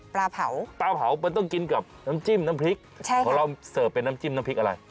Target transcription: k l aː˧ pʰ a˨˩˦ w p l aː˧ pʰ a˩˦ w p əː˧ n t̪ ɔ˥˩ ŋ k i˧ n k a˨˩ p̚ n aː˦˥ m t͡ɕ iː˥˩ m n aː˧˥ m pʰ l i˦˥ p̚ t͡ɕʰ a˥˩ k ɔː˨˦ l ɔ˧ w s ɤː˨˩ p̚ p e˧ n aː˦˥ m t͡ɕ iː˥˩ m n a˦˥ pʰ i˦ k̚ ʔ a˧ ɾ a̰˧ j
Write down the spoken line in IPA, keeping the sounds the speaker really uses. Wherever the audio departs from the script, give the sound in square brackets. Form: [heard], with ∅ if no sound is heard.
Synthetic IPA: [p] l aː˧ pʰ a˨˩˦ w p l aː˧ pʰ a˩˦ w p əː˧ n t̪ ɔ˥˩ ŋ k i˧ n k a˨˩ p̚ n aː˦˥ m t͡ɕ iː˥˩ m n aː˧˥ m pʰ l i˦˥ [k̚] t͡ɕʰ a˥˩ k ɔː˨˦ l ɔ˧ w s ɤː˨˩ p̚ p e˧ n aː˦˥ m t͡ɕ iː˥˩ m n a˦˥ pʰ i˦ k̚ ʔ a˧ ɾ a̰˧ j